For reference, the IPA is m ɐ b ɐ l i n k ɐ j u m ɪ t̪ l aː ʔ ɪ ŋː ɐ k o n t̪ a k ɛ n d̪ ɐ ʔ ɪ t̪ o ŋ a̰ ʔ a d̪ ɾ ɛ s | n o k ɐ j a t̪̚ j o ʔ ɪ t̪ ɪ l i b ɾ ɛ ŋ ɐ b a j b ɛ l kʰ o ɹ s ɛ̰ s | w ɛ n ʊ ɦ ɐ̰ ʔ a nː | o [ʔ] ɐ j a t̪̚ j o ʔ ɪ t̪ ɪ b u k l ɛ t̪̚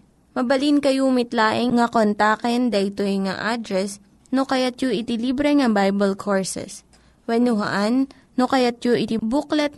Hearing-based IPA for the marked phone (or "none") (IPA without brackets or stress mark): k